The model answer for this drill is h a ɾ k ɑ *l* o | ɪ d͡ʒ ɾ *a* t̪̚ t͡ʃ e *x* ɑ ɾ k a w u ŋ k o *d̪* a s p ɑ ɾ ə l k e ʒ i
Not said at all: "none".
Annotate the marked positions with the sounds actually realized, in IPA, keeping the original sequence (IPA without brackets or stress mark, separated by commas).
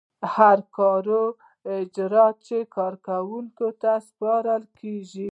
ɾ, ɑ, k, t̪